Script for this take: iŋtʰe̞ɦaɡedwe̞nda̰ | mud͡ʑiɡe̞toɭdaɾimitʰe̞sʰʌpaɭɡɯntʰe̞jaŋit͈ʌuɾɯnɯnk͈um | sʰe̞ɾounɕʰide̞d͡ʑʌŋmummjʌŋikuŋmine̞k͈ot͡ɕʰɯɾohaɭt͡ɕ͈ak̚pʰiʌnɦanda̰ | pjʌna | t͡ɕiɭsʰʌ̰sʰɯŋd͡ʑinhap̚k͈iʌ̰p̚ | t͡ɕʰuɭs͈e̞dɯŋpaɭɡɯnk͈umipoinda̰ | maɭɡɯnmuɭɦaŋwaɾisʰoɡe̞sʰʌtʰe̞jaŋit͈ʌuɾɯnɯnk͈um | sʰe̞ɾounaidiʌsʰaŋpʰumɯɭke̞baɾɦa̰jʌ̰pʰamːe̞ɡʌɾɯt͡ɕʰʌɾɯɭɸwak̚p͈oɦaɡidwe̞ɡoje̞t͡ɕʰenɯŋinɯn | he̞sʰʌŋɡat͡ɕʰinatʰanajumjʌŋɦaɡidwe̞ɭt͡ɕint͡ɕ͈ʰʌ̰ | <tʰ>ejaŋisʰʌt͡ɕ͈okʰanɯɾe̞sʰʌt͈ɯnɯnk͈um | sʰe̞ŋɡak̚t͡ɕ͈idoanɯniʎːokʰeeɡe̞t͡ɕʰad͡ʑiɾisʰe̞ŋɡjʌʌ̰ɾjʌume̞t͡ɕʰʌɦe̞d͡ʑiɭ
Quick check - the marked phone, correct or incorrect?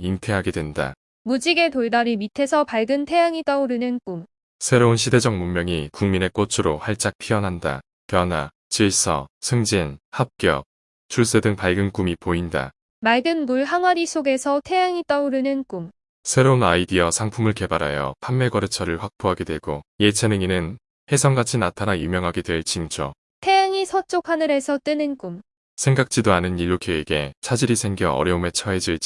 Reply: correct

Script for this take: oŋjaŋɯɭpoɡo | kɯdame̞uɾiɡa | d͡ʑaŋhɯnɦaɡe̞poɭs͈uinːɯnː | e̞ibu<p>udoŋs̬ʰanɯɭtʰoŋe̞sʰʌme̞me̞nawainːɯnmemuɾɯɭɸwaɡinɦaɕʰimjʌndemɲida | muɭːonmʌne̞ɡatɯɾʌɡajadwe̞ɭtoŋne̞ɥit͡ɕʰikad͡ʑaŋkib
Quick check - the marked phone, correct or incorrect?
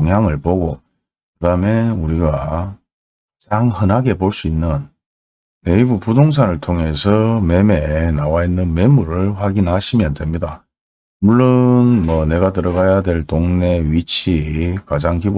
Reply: correct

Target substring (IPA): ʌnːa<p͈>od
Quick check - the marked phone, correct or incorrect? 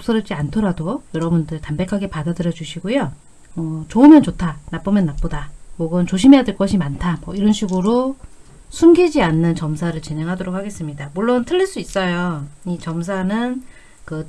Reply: correct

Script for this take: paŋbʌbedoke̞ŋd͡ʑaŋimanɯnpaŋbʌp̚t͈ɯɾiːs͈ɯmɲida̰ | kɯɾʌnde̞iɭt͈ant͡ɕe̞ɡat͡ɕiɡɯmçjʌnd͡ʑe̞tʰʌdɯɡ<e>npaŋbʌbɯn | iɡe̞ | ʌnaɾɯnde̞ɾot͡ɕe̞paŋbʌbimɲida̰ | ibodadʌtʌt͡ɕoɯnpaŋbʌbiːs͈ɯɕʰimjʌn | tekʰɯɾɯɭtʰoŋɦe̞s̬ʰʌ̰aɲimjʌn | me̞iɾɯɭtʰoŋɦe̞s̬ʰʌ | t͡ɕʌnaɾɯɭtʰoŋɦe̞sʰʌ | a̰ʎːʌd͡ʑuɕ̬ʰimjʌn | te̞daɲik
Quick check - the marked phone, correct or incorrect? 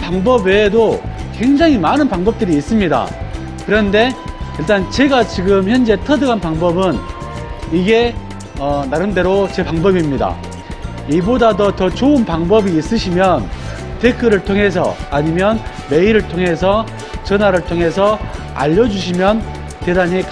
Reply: incorrect: a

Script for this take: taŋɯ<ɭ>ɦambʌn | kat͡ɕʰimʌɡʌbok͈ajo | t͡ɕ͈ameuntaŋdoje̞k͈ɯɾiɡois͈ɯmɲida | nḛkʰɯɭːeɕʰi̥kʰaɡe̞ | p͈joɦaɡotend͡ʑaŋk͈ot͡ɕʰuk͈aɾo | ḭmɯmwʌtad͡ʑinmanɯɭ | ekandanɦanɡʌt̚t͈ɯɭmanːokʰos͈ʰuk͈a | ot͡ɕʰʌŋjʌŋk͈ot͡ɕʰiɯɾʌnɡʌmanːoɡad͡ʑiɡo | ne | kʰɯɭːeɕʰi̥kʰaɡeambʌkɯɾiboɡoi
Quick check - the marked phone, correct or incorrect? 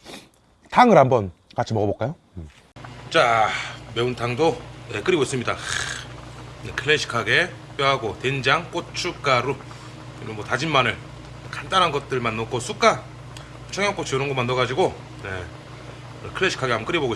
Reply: incorrect: ɾ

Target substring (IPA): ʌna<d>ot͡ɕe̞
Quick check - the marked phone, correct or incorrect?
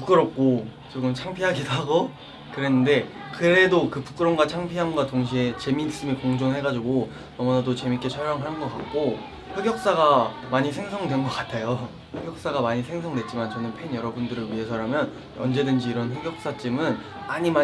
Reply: correct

